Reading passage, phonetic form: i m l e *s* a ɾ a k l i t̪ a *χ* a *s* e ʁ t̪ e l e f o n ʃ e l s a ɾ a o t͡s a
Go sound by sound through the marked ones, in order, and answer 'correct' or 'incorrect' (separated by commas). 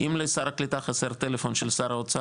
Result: correct, correct, correct